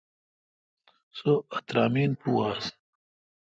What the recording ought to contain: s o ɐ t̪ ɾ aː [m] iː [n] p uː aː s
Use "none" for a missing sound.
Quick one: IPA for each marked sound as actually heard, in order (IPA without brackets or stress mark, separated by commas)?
m, n